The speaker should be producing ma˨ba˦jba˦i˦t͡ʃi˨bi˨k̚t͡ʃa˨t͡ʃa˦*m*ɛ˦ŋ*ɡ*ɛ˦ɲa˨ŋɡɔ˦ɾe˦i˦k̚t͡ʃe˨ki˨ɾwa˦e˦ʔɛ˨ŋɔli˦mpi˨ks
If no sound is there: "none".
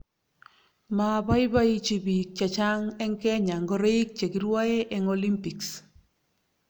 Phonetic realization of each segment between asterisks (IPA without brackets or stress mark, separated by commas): ŋ, k